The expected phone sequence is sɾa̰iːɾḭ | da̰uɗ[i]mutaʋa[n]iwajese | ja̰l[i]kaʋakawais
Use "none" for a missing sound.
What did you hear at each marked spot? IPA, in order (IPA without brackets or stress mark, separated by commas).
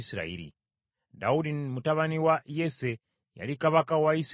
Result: i, n, i